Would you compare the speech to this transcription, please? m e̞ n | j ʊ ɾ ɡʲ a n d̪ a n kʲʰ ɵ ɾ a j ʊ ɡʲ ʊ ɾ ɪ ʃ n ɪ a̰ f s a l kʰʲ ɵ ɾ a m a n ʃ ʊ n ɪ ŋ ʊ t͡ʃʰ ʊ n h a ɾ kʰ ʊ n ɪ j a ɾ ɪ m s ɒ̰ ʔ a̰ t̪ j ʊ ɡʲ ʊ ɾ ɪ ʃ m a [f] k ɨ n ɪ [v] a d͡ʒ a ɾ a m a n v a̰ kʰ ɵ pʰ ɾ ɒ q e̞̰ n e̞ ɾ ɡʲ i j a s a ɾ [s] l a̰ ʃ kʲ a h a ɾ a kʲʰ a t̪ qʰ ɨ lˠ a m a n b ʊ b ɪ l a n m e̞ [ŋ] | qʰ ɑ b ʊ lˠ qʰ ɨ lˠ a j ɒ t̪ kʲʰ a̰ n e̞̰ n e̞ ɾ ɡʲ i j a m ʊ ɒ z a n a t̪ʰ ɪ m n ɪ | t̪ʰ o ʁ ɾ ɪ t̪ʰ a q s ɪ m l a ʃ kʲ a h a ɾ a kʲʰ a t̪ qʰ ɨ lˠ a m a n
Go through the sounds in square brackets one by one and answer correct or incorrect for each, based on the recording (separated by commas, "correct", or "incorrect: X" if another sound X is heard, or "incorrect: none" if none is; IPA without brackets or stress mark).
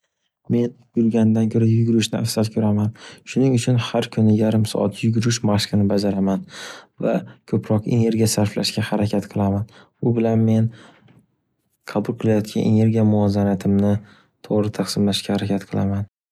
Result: incorrect: ʃ, incorrect: b, incorrect: f, incorrect: n